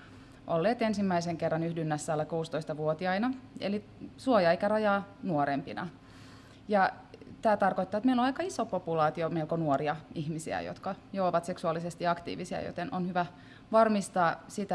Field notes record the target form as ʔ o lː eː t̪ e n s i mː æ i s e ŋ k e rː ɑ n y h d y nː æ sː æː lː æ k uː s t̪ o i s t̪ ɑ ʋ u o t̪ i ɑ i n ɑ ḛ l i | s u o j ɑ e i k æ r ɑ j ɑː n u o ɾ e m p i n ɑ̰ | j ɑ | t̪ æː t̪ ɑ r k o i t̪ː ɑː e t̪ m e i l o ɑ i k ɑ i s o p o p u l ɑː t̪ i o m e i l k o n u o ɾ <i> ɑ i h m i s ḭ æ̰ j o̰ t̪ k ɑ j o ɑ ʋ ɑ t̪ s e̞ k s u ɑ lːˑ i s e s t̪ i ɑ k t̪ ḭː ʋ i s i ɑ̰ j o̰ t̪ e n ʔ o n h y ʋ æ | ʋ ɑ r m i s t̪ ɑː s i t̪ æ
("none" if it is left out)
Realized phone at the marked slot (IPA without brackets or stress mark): i